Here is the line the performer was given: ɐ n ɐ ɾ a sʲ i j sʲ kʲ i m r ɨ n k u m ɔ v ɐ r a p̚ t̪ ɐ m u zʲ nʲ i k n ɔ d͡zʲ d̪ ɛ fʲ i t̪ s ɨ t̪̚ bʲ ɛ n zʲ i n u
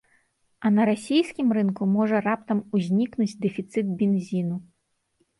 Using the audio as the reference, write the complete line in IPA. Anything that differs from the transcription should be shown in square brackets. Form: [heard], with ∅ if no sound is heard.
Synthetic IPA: ɐ n ɐ ɾ a sʲ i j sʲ kʲ i m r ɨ n k u m ɔ [ʐ] ɐ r a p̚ t̪ ɐ m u zʲ nʲ i k n [u] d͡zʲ d̪ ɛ fʲ i t̪ s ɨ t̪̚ bʲ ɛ n zʲ i n u